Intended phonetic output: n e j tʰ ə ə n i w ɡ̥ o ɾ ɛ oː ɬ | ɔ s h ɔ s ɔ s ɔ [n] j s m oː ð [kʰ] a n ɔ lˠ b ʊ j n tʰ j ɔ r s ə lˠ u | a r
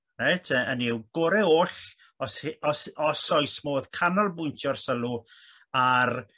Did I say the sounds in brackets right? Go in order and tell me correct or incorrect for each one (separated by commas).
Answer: incorrect, correct